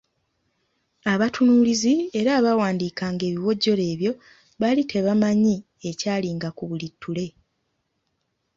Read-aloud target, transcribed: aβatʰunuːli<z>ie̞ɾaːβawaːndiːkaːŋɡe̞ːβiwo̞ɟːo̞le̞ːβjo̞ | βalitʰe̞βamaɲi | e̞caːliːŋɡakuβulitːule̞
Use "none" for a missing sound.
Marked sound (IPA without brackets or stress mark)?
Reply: z